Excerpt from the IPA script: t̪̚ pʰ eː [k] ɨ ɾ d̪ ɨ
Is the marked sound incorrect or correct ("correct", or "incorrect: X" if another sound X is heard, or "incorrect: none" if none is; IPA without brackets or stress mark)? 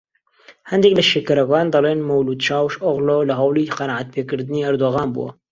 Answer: correct